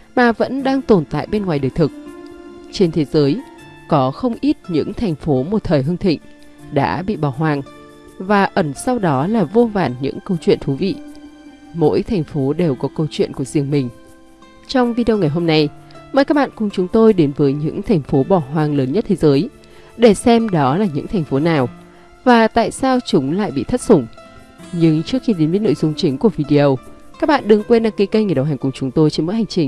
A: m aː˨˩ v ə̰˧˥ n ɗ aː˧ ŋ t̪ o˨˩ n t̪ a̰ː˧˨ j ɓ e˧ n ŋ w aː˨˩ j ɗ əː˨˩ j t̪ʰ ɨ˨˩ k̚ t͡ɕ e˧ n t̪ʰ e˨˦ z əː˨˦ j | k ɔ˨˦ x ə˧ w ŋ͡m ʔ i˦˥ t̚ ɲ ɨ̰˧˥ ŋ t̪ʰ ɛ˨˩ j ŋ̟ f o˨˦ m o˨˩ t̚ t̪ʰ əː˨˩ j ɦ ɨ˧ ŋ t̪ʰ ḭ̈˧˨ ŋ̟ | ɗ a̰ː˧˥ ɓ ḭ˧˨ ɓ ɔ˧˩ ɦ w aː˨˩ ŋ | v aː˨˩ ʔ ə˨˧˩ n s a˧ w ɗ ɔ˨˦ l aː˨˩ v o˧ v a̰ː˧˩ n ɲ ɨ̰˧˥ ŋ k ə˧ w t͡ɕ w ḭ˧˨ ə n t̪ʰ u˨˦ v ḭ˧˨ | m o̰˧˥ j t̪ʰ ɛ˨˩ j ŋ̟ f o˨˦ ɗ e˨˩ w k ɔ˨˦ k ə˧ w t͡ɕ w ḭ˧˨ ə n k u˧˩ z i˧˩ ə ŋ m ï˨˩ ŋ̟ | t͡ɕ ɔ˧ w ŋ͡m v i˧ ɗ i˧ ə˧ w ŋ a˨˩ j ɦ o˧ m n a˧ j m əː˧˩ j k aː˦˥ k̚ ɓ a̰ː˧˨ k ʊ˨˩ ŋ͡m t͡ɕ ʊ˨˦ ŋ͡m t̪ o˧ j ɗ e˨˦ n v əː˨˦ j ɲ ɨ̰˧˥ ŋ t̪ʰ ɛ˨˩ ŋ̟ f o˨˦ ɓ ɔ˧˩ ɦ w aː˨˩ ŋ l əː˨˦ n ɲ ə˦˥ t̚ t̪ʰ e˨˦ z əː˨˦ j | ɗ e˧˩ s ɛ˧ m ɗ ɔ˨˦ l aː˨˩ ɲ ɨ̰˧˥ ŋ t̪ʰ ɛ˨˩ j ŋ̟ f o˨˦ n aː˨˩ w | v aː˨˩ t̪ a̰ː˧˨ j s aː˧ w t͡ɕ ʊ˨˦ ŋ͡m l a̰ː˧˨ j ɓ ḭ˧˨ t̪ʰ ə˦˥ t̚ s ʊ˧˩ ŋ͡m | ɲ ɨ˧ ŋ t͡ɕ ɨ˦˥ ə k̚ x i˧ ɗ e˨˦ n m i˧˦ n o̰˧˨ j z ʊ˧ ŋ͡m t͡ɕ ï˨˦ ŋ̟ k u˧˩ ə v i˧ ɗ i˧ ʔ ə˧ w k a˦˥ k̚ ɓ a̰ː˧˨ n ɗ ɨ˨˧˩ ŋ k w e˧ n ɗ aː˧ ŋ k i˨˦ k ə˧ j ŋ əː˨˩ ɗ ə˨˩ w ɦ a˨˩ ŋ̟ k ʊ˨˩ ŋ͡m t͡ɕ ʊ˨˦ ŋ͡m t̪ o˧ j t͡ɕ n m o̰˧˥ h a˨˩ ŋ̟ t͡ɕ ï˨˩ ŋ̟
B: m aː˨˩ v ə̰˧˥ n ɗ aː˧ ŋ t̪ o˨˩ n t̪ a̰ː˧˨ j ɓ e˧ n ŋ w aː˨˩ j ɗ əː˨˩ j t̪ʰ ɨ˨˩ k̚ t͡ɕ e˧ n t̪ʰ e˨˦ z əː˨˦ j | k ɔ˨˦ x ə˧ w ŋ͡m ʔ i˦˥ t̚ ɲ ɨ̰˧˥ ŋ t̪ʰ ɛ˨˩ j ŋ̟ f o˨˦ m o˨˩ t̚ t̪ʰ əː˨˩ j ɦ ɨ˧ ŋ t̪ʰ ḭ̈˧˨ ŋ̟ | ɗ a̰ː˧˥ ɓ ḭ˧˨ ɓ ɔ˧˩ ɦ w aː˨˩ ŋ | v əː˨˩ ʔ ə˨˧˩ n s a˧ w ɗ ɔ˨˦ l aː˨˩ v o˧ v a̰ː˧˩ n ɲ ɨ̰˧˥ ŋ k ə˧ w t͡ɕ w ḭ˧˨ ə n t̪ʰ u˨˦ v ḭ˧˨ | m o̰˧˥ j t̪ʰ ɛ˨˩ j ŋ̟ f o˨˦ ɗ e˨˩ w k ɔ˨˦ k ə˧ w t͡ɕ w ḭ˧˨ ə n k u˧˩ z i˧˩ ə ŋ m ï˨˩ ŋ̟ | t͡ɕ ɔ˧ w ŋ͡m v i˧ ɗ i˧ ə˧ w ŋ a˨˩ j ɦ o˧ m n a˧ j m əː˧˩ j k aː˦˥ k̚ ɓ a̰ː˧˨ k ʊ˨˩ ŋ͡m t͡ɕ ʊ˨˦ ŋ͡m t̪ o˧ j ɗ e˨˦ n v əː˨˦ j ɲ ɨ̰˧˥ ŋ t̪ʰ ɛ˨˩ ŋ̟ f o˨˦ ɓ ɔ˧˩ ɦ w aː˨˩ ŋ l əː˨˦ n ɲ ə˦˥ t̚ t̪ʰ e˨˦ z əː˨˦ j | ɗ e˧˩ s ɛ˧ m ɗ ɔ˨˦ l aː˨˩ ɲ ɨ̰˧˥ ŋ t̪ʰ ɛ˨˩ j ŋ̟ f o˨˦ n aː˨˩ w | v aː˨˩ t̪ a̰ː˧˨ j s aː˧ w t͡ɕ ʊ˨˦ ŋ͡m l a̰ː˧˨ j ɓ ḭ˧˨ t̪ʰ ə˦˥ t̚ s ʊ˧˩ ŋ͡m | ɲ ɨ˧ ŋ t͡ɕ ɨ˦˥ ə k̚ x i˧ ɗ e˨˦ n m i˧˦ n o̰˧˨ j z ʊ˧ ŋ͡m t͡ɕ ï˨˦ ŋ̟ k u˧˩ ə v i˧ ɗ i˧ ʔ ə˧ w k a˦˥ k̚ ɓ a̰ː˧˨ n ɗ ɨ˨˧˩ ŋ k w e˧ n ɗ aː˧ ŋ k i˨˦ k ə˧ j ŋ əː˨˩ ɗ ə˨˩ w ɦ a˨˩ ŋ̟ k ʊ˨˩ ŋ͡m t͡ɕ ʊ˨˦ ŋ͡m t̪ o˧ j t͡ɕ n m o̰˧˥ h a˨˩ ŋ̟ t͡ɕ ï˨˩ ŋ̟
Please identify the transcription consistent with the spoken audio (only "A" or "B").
A